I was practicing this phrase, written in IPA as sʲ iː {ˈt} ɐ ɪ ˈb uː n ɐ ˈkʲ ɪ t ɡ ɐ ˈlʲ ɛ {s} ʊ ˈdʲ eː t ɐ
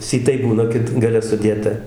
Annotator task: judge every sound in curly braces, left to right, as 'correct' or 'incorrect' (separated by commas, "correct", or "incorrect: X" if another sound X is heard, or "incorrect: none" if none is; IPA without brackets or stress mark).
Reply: correct, correct